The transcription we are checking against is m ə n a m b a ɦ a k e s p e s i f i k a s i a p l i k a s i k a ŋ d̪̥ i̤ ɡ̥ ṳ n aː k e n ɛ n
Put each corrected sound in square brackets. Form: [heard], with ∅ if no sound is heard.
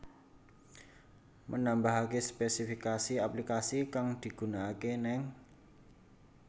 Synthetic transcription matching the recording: m ə n a m b a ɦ a k e s p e s i f i k a s i a p l i k a s i k a ŋ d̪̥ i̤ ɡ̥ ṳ n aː k e n ɛ [ŋ]